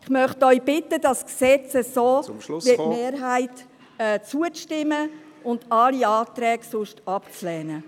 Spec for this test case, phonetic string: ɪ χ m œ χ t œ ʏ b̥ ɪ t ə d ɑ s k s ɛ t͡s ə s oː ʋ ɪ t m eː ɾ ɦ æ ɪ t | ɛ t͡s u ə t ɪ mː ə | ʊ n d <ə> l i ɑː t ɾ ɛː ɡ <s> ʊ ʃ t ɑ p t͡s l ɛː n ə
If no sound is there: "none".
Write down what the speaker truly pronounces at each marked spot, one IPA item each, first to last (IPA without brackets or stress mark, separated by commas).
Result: ɑ, s